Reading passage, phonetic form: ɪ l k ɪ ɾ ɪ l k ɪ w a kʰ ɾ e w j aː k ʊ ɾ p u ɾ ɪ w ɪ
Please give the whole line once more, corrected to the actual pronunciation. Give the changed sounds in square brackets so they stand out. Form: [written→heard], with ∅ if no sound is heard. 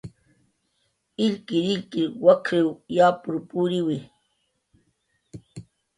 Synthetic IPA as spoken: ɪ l k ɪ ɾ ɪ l k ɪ w a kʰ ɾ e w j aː [k→p] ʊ ɾ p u ɾ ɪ w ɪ